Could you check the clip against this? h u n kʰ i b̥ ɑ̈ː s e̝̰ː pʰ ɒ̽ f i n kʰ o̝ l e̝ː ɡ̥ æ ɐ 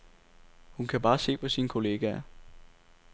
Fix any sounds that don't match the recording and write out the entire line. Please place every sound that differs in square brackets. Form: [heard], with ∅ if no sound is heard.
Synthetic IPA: h u n kʰ [æ] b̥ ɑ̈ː s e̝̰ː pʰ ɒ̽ [s] i n kʰ o̝ l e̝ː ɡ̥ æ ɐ

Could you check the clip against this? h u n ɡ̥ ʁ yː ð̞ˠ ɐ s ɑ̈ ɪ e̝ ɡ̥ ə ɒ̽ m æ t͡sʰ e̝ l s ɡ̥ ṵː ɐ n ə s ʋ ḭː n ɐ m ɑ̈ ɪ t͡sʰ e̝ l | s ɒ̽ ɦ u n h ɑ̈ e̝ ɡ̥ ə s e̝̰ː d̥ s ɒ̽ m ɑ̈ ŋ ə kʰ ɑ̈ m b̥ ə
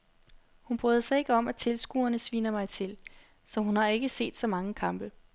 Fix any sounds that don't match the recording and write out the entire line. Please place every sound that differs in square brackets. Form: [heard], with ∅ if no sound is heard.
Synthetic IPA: h u n [b̥] ʁ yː ð̞ˠ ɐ s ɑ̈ ɪ e̝ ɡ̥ ə ɒ̽ m æ t͡sʰ e̝ l s ɡ̥ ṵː ɐ n ə s ʋ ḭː n ɐ m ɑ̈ ɪ t͡sʰ e̝ l | s ɒ̽ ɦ u n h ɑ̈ e̝ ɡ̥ ə s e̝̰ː d̥ s ɒ̽ m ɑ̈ ŋ ə kʰ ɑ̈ m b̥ ə

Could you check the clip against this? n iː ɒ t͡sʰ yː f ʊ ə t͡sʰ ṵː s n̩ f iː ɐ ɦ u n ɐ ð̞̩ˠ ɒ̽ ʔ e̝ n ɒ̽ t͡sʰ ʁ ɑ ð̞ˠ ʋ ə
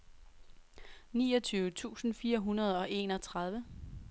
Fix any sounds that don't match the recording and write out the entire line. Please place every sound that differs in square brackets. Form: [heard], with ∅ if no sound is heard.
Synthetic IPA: n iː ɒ t͡sʰ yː [∅] ʊ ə t͡sʰ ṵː s n̩ f iː ɐ ɦ u n ɐ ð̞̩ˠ ɒ̽ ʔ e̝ n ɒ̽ t͡sʰ ʁ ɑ ð̞ˠ ʋ ə

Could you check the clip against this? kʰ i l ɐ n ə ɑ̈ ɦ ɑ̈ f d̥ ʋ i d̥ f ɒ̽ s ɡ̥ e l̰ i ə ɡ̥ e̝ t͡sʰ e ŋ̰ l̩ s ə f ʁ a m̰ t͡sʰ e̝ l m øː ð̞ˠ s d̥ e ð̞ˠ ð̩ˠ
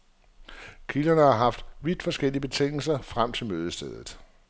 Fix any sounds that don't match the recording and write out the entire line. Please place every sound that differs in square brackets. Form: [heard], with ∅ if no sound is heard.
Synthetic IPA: kʰ i l ɐ n ə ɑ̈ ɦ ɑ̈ f d̥ ʋ i d̥ f ɒ̽ s ɡ̥ e l̰ i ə [b̥] e̝ t͡sʰ e ŋ̰ l̩ s [ɐ] f ʁ a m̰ t͡sʰ e̝ l m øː ð̞ˠ s d̥ e ð̞ˠ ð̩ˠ

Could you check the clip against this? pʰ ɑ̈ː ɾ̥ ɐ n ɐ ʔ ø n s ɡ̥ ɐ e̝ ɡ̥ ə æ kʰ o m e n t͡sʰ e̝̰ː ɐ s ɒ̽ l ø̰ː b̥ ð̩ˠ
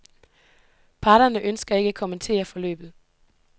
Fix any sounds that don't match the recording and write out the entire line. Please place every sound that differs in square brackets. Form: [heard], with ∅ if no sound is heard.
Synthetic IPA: pʰ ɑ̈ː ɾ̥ ɐ n [ə] ʔ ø n s ɡ̥ ɐ e̝ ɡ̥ ə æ kʰ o m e n t͡sʰ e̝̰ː ɐ [f] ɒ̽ l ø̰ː b̥ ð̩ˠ

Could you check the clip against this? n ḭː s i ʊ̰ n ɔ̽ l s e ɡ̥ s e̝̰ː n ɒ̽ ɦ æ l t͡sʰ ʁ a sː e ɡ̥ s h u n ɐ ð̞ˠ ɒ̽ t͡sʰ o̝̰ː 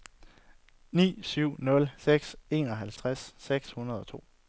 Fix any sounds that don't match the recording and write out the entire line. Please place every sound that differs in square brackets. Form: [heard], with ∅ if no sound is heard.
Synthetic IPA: n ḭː s [y] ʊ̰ n ɔ̽ l s e ɡ̥ s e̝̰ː n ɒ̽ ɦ æ l t͡sʰ ʁ a sː e ɡ̥ s h u n ɐ ð̞ˠ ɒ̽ t͡sʰ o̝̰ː

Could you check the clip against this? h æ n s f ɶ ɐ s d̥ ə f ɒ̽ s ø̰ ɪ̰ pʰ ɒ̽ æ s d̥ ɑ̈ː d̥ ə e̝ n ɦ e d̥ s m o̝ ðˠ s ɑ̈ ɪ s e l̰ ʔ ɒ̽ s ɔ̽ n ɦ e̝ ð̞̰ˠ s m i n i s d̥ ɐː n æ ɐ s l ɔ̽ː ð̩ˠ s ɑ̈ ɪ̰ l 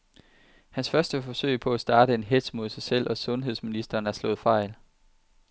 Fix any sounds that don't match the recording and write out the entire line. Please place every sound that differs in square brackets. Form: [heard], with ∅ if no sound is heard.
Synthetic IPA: h æ n s f ɶ ɐ s d̥ ə f ɒ̽ s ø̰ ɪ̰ pʰ ɒ̽ æ s d̥ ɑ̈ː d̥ ə e̝ n ɦ e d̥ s m o̝ ðˠ s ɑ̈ ɪ s e l̰ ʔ ɒ̽ s ɔ̽ n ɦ e̝ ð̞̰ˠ s m i n i s d̥ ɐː n æ ɐ s l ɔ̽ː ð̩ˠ [f] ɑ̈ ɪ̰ l

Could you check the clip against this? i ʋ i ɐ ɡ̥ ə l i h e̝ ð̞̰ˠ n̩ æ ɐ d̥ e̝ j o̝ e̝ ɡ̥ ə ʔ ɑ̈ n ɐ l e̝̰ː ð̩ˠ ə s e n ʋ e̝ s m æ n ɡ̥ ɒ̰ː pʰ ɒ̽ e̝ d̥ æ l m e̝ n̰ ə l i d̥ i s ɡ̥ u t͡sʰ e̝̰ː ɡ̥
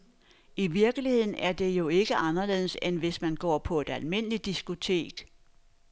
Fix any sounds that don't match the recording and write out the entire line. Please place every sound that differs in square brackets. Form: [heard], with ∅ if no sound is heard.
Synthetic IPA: i ʋ i ɐ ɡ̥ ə l i h e̝ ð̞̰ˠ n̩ æ ɐ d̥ e̝ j o̝ e̝ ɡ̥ ə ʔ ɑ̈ n ɐ l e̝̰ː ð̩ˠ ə s e n ʋ e̝ s m æ n ɡ̥ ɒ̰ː pʰ ɒ̽ e̝ d̥ æ l m e̝ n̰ ə l i d̥ i s ɡ̥ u t͡sʰ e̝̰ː ɡ̥

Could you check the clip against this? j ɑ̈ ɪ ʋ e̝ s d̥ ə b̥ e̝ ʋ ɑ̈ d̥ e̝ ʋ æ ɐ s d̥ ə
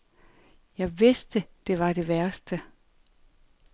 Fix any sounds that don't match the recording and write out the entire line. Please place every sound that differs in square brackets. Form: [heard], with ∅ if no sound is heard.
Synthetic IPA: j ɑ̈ ɪ ʋ e̝ s d̥ ə [d̥] e̝ ʋ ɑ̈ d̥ e̝ ʋ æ ɐ s d̥ ə

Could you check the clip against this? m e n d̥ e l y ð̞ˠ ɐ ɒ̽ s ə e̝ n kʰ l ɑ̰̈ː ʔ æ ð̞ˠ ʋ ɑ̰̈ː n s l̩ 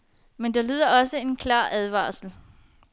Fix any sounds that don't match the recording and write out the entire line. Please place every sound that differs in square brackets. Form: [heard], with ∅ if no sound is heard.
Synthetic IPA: m e n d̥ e l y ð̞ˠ ɐ ɒ̽ s ə e̝ n kʰ l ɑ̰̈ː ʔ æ ð̞ˠ ʋ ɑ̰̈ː [∅] s l̩

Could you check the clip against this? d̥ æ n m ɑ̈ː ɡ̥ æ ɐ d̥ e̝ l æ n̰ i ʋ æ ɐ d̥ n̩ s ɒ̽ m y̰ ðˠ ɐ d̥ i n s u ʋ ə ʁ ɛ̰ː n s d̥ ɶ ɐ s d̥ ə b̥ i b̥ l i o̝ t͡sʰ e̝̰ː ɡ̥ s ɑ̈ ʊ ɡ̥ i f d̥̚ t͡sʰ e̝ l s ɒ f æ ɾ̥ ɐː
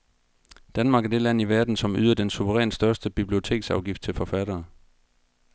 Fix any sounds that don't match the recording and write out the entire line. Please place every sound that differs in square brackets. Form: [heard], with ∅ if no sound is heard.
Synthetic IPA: d̥ æ n m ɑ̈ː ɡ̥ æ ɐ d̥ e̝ l æ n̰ i ʋ æ ɐ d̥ n̩ s ɒ̽ m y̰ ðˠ ɐ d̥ [e] n s u ʋ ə ʁ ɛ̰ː n s d̥ ɶ ɐ s d̥ ə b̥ i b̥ l i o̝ t͡sʰ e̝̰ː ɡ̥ s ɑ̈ ʊ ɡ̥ i f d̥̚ t͡sʰ e̝ l [f] ɒ f æ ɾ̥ ɐː

